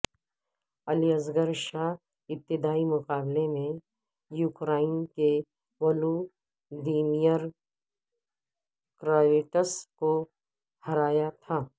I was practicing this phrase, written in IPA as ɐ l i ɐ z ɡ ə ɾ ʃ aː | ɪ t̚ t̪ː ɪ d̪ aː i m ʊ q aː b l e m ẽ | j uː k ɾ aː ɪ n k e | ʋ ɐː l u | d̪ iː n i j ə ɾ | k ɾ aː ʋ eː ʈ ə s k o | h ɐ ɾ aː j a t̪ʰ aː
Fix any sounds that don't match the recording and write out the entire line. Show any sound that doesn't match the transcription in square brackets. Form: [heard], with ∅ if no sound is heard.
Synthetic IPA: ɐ l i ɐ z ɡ ə ɾ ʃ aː | ɪ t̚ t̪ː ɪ d̪ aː i m ʊ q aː b l e m ẽ | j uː k ɾ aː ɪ n k e | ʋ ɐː l u | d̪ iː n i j ə ɾ | k ɾ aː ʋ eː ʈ ə s k o | h ɐ ɾ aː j a t̪ʰ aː